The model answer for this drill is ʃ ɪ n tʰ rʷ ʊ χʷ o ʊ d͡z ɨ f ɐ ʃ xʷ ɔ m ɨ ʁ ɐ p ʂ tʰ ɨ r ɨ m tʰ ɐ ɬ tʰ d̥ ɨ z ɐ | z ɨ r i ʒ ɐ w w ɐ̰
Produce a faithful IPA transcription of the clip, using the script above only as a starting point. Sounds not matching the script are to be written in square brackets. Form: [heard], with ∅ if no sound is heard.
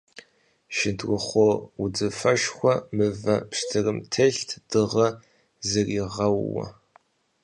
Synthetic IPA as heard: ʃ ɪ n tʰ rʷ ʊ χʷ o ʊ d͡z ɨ f ɐ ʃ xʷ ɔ m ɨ [v] ɐ p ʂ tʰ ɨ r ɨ m tʰ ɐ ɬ tʰ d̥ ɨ [ʁ] ɐ | z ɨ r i [ʁ] ɐ w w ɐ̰